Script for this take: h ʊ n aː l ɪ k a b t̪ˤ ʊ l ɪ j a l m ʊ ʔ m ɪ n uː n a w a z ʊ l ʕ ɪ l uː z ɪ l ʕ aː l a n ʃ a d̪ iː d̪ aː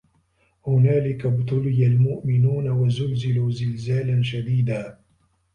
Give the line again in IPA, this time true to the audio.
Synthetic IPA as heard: h ʊ n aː l ɪ k a b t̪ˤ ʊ l ɪ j a l m ʊ ʔ m ɪ n uː n a w a z ʊ l z ɪ l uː z ɪ l z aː l a n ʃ a d̪ iː d̪ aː